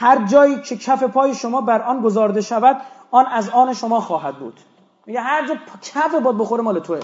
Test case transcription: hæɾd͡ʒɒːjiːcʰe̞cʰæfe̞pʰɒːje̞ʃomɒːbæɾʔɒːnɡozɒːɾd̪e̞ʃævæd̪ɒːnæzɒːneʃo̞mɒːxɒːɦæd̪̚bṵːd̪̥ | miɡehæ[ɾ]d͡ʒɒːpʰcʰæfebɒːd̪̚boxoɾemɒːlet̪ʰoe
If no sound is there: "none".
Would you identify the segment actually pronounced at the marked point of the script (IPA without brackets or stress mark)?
ɾ